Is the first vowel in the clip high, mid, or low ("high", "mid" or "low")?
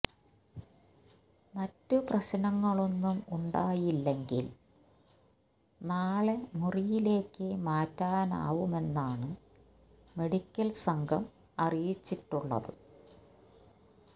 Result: low